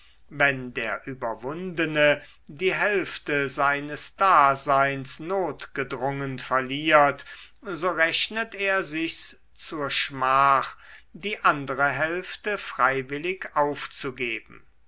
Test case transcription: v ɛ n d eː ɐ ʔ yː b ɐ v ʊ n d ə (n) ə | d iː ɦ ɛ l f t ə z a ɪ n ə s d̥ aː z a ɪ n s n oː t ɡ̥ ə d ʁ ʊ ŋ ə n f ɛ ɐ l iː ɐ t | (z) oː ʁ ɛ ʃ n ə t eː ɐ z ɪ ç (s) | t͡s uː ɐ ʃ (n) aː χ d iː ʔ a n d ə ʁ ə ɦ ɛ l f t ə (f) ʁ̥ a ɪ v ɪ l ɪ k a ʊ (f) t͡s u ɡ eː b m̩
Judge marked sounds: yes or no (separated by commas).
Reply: yes, yes, yes, no, yes, yes